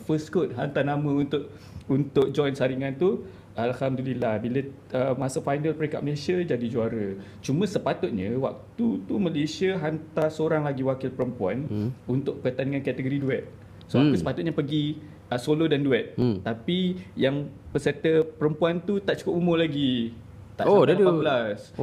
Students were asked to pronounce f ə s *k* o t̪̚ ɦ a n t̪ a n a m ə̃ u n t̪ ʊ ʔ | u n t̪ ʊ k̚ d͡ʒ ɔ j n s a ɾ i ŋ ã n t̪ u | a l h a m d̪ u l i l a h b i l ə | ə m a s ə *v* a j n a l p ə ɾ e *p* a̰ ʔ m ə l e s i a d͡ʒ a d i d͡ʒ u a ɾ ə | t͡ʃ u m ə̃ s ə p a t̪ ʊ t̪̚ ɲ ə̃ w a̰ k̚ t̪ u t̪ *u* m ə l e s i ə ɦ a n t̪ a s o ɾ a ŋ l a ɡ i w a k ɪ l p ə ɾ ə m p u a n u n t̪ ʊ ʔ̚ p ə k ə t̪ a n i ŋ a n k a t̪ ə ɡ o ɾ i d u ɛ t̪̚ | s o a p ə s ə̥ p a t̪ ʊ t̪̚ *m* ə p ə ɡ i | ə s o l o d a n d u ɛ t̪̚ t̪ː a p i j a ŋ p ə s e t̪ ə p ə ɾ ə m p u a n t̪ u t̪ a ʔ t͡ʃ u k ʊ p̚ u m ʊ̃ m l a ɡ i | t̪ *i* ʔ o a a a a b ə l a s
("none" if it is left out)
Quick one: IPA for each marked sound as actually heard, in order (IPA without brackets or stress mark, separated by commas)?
k, f, k, u, ɲ, a